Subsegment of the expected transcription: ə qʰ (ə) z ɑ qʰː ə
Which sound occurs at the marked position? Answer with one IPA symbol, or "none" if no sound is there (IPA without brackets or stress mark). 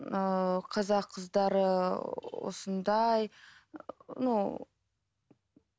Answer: ɑ